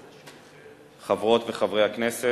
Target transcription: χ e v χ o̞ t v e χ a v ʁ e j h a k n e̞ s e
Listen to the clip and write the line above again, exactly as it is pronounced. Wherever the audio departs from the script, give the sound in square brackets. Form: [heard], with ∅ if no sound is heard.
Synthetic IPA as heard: χ [a] v [ʁ] o̞ t v e χ a v ʁ e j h a k n e̞ s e